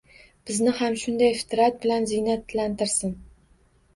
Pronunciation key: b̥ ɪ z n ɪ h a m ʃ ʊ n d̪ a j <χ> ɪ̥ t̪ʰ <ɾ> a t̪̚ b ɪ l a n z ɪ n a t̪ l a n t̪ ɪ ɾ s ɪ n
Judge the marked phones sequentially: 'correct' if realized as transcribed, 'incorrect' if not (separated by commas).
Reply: incorrect, correct